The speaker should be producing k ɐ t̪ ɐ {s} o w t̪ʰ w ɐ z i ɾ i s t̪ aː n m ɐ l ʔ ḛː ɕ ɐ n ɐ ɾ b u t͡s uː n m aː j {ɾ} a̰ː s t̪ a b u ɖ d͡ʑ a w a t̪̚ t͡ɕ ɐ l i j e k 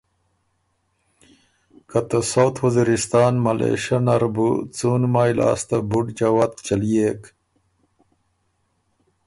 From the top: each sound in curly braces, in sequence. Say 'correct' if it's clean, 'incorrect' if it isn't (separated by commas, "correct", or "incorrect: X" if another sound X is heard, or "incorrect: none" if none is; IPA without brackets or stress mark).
correct, incorrect: l